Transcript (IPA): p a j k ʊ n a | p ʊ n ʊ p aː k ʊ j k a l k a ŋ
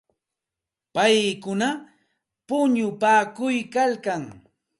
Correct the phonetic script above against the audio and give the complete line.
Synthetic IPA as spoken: p a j k ʊ n a | p ʊ ɲ ʊ p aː k ʊ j k a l k a ŋ

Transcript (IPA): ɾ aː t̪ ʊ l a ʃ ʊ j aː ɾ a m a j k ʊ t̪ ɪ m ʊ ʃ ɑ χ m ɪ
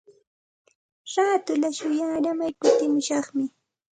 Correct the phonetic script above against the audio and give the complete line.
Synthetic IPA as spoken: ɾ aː t̪ ʊ l a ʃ ʊ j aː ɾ a m a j k ʊ t̪ ɪ m ʊ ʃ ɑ χ m ɪ

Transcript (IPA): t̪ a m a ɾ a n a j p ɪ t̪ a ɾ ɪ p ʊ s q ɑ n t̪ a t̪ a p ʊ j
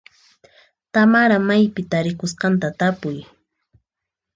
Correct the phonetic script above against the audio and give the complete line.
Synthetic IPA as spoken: t̪ a m a ɾ a m a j p ɪ t̪ a ɾ ɪ k ʊ s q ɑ n t̪ a t̪ a p ʊ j

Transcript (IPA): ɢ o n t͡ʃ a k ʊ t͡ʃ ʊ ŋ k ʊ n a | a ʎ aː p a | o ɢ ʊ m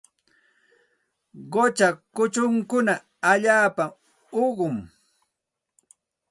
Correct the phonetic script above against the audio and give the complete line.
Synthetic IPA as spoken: ɢ o t͡ʃ a k ʊ t͡ʃ ʊ ŋ k ʊ n a | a ʎ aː p a | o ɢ ʊ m

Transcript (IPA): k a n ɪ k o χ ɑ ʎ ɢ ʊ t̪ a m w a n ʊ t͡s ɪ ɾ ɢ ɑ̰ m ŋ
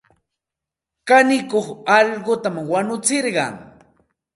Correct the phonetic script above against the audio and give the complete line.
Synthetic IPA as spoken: k a n ɪ k o χ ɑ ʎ ɢ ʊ t̪ a m w a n ʊ t͡s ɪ ɾ ɢ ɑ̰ ŋ

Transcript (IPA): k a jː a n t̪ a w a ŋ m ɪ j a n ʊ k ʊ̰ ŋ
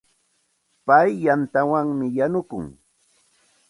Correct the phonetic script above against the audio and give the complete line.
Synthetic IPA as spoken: p a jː a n t̪ a w a ŋ m ɪ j a n ʊ k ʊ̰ ŋ

